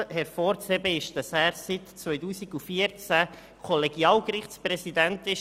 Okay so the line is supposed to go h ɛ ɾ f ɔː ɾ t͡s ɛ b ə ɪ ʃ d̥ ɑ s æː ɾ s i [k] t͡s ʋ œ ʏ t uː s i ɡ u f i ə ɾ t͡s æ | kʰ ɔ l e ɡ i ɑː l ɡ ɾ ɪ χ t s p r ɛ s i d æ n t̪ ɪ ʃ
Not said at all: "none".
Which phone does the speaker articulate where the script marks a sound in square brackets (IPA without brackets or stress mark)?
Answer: t